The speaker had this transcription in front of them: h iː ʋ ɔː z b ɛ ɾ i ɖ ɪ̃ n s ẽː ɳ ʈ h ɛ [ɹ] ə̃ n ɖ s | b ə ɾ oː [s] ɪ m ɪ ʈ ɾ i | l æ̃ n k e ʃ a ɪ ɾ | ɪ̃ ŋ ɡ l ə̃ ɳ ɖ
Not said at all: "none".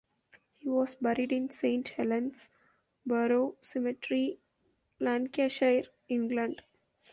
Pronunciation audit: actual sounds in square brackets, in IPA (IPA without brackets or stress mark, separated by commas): l, s